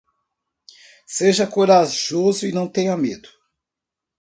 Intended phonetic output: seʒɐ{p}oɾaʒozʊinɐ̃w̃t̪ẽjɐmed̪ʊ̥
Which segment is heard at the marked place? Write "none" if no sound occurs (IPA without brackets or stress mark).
k